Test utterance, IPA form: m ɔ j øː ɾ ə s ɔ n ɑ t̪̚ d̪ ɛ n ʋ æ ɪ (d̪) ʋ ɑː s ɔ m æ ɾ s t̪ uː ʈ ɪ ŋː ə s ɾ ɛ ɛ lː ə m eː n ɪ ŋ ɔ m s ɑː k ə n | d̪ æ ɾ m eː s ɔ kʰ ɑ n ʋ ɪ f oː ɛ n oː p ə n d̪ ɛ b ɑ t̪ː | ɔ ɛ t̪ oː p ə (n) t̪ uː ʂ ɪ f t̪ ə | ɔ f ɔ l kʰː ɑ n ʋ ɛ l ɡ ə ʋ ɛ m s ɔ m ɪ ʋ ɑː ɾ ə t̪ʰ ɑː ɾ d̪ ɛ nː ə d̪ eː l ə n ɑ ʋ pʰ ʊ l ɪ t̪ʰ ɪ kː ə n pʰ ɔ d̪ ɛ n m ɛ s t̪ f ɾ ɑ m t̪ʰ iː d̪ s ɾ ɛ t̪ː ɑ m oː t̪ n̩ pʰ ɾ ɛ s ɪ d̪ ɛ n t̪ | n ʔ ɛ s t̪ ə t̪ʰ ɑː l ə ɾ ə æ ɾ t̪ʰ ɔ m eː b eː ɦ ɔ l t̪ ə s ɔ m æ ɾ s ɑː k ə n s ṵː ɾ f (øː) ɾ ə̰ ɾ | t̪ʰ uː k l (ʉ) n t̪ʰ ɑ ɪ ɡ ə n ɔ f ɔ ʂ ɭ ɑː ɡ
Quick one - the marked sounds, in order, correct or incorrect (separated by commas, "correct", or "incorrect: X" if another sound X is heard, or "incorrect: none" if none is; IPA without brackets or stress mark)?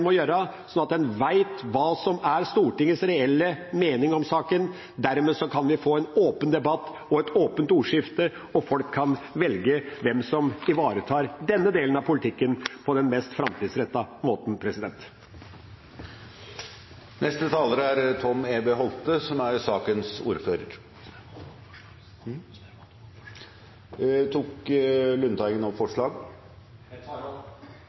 incorrect: t̪, correct, correct, correct